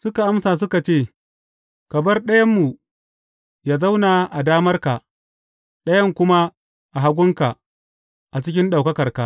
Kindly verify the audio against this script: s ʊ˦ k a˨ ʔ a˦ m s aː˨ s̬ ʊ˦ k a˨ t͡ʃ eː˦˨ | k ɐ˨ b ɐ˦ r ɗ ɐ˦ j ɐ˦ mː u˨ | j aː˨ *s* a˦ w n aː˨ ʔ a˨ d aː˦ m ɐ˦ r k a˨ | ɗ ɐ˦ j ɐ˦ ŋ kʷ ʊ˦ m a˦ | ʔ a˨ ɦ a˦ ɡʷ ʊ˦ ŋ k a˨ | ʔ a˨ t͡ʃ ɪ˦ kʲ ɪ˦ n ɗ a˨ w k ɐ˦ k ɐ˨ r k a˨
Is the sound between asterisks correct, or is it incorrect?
incorrect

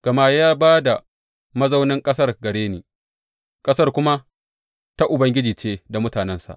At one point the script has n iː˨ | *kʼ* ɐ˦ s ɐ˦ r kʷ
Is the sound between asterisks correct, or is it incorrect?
correct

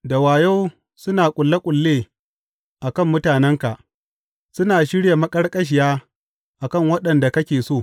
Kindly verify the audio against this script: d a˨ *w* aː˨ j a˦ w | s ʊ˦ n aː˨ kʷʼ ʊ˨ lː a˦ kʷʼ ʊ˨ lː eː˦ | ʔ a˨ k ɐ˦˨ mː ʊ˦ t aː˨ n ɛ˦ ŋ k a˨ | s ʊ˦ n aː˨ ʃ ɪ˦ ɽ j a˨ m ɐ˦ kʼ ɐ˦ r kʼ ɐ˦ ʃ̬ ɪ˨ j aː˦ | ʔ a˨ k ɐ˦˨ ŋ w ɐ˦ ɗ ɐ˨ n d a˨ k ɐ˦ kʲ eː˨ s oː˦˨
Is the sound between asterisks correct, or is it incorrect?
correct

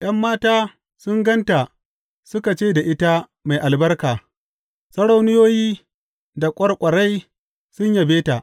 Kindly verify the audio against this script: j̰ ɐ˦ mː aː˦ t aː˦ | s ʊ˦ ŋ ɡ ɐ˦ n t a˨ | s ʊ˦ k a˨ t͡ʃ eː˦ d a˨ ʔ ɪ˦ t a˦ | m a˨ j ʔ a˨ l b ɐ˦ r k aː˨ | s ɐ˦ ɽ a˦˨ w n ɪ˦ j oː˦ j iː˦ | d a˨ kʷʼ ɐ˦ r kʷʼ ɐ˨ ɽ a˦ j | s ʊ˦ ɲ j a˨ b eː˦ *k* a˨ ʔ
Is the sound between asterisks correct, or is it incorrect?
incorrect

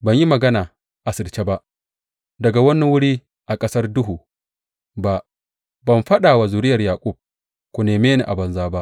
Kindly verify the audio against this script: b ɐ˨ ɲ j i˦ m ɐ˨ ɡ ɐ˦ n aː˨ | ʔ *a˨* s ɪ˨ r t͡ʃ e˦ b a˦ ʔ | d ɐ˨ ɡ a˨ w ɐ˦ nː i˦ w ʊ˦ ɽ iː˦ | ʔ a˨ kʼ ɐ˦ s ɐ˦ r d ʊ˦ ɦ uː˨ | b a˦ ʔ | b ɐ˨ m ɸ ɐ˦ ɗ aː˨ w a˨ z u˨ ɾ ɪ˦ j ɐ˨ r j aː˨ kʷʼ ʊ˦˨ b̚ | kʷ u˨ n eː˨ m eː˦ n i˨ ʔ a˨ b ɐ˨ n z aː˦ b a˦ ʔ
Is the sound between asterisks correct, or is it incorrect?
correct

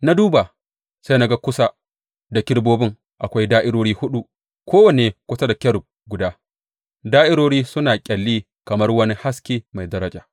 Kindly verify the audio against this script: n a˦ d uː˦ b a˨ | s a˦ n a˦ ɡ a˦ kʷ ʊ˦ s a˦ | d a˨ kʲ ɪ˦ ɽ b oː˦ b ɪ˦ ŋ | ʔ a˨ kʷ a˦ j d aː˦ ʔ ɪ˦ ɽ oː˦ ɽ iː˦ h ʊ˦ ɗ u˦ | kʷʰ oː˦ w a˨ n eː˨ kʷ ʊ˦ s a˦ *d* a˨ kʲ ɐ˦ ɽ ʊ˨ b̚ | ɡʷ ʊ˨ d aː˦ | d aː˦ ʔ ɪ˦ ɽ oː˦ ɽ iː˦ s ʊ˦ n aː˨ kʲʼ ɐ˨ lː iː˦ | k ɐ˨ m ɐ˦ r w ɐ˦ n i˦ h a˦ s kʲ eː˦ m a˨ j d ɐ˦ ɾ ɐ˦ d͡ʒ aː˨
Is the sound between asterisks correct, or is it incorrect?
correct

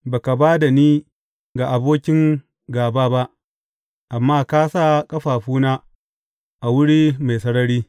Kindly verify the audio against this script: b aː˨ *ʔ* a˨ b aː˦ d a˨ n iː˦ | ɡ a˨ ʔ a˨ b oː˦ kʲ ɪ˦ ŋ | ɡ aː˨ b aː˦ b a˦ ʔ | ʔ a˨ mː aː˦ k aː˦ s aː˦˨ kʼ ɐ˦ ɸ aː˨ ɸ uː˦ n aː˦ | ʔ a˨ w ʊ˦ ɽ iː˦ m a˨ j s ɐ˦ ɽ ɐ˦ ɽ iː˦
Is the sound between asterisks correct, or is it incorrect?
incorrect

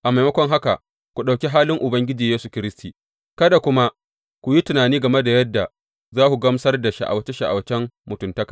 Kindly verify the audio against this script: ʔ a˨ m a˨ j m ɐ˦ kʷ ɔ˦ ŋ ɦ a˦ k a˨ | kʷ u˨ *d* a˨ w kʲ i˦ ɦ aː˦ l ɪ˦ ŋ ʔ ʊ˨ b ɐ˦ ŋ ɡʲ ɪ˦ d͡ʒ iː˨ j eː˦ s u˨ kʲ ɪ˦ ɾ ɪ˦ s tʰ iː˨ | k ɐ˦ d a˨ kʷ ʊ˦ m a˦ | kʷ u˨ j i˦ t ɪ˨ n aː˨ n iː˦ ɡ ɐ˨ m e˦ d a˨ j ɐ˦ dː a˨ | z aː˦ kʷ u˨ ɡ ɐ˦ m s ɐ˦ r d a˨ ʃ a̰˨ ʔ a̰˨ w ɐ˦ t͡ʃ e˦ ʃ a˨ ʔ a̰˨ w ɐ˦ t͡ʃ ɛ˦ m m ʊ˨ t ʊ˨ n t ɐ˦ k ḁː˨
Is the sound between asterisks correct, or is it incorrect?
incorrect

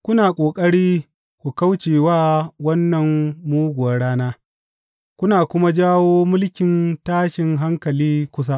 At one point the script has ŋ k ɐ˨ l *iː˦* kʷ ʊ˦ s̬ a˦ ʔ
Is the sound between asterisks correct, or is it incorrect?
correct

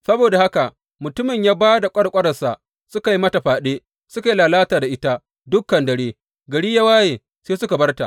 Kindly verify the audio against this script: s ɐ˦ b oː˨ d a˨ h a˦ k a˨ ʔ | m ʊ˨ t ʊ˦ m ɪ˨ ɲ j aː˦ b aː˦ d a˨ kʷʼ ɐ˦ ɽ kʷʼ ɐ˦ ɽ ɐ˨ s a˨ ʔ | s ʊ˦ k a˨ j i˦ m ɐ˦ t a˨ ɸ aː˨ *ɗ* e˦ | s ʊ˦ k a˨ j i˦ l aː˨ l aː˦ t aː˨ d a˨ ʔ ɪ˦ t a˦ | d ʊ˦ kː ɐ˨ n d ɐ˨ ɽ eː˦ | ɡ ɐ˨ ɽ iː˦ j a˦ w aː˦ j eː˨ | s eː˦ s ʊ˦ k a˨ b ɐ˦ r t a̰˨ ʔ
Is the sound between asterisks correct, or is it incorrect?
correct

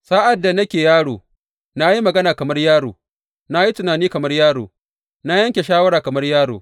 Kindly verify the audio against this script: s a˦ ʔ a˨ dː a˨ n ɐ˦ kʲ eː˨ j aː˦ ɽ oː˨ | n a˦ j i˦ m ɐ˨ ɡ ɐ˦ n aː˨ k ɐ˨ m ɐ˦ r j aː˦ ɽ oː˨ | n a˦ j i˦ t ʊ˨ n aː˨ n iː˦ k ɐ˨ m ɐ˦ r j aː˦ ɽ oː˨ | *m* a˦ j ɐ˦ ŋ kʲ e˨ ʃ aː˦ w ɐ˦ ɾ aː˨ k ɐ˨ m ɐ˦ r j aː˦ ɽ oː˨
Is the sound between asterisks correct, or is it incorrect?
incorrect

